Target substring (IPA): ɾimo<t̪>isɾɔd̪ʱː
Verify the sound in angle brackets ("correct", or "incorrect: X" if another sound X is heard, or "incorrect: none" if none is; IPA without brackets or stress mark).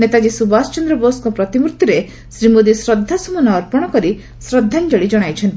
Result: incorrect: d̪